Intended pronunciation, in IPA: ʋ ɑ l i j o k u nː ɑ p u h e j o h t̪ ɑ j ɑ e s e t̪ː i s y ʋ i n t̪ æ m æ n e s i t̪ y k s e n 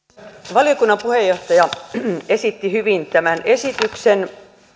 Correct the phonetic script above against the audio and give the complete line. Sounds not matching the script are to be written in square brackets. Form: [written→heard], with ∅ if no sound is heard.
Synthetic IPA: ʋ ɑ l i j o k u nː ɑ p u h e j o h t̪ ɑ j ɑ e s [e→i] t̪ː i [s→h] y ʋ i n t̪ æ m æ n e s i t̪ y k s e n